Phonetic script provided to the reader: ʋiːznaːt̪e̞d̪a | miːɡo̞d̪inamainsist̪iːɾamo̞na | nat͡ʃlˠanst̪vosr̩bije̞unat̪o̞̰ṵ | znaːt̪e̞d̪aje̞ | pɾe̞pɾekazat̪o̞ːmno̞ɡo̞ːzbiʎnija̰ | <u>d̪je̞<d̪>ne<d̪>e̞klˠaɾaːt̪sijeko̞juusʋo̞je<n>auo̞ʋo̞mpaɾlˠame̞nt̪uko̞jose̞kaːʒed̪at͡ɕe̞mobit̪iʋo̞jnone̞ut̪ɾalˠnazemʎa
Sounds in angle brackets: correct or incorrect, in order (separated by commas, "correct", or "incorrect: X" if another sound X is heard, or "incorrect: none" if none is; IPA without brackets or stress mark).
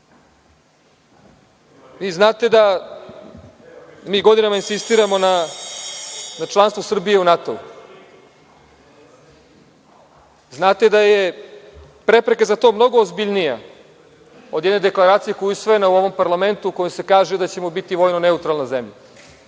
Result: incorrect: o, correct, correct, correct